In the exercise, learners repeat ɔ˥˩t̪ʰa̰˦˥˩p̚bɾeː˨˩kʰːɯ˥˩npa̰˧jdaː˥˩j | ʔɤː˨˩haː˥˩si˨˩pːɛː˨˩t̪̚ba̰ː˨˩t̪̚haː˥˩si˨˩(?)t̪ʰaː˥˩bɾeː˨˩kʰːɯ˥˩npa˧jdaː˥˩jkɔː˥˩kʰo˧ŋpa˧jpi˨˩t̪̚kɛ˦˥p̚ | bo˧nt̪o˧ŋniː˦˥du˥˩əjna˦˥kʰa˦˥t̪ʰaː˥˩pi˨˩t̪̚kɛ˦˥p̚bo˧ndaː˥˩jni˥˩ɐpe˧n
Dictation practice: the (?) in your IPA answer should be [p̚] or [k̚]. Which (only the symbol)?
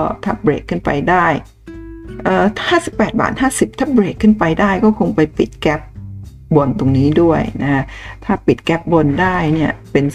p̚